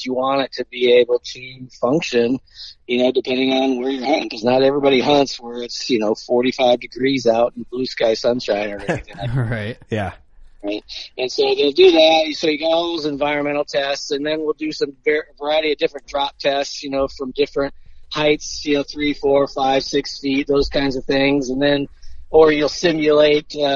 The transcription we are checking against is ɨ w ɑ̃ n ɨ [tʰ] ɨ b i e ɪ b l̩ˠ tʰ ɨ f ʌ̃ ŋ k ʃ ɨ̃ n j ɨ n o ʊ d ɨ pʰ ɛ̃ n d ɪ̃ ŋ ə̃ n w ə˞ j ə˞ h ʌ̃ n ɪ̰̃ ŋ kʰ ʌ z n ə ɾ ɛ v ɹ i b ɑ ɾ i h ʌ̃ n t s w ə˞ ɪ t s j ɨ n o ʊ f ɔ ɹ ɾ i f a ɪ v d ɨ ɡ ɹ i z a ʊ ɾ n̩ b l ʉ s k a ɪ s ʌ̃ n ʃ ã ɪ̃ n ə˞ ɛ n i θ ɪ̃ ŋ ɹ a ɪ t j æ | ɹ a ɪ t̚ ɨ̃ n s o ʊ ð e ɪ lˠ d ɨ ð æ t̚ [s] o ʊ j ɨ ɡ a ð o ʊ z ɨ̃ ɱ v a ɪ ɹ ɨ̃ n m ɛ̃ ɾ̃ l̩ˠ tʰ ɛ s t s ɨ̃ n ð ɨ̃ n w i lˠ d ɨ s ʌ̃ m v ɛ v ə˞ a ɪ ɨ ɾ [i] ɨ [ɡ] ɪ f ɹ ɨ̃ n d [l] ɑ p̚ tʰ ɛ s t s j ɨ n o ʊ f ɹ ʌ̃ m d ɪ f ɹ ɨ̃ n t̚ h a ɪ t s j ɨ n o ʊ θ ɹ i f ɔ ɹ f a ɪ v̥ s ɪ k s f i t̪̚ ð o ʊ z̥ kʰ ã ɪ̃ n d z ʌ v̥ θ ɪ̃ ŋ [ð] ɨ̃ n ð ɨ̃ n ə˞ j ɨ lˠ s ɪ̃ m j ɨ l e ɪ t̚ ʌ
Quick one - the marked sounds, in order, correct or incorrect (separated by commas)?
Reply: correct, correct, correct, incorrect, incorrect, incorrect